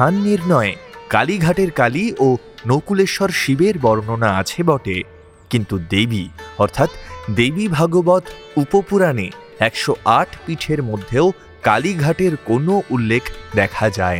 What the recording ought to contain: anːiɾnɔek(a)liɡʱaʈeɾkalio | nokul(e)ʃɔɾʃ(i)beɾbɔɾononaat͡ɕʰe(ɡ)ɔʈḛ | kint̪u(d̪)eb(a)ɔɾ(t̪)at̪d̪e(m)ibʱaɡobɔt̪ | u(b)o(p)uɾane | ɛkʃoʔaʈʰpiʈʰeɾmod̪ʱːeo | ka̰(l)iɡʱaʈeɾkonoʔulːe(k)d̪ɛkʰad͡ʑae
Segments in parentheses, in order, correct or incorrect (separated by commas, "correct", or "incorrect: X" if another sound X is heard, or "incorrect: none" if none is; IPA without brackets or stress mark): correct, correct, correct, incorrect: b, correct, incorrect: i, incorrect: t̪ʰ, incorrect: b, incorrect: p, correct, correct, incorrect: kʰ